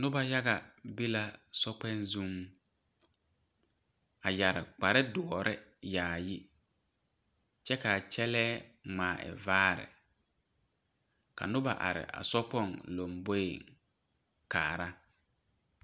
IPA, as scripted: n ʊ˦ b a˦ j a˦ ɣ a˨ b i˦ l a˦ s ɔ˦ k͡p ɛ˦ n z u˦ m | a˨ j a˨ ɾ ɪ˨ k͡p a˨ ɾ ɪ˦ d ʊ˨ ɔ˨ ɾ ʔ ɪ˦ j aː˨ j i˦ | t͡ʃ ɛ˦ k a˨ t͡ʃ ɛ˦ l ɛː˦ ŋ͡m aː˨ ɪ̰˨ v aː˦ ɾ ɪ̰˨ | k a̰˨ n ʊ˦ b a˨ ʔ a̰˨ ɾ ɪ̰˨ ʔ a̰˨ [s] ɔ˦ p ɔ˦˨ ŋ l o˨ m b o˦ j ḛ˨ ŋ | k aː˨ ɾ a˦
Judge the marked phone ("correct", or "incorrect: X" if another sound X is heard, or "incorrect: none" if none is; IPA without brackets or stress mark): correct